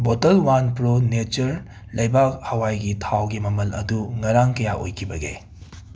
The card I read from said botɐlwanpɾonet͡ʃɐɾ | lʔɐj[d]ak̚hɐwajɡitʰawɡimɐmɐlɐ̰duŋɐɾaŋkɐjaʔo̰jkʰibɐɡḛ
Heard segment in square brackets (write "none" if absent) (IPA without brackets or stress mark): b